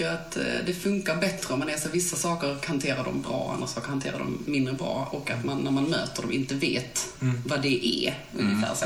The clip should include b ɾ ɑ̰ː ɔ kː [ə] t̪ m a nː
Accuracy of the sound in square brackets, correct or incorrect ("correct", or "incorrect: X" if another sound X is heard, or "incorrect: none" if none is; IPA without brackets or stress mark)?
incorrect: a